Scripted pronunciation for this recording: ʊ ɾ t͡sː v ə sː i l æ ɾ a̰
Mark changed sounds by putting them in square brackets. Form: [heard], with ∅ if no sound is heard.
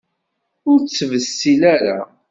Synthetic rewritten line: ʊ ɾ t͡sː v ə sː i l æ ɾ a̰